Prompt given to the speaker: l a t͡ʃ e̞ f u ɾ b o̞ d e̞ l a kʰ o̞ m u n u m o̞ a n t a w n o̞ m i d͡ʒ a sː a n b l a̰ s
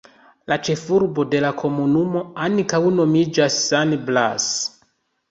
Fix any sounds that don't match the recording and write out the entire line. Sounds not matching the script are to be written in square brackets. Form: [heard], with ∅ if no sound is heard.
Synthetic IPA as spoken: l a t͡ʃ e̞ f u ɾ b o̞ d e̞ l a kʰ o̞ m u n u m o̞ a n [k] a w n o̞ m i d͡ʒ a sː a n b l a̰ s